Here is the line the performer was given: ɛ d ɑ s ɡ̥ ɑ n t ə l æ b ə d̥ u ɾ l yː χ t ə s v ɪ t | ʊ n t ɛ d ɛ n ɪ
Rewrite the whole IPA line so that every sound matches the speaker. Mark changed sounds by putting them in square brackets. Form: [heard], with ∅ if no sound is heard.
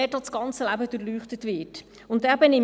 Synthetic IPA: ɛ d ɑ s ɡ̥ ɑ n [t͡s] ə l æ b ə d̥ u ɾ l yː χ t ə [t] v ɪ t | ʊ n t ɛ [b] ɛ n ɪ